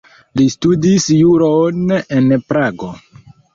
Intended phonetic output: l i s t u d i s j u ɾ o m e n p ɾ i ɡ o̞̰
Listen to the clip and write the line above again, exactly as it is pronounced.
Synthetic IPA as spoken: l i s t u d i s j u ɾ o n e n p ɾ a ɡ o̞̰